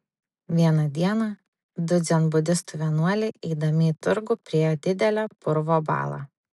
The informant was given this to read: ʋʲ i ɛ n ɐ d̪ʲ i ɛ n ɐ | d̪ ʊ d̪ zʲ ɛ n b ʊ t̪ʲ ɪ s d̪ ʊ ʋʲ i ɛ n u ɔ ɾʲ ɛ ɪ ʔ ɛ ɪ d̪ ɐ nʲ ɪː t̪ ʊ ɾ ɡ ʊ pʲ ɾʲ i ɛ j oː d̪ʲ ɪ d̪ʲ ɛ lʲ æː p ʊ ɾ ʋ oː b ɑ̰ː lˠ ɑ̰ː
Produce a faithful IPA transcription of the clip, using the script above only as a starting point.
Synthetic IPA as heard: ʋʲ i ɛ n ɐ d̪ʲ i ɛ n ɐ | d̪ ʊ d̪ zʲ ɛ n b ʊ d̪ʲ ɪ s t̪ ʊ ʋʲ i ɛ n u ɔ lʲ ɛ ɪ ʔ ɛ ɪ d̪ ɐ mʲ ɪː t̪ ʊ ɾ ɡ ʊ pʲ ɾʲ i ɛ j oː d̪ʲ ɪ d̪ʲ ɛ lʲ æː p ʊ ɾ ʋ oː b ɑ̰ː lˠ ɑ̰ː